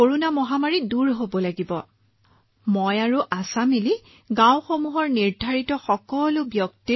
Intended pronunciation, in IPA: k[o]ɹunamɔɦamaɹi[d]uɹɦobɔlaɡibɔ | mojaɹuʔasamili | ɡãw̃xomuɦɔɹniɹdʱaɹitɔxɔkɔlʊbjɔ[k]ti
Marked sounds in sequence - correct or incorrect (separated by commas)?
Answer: correct, correct, correct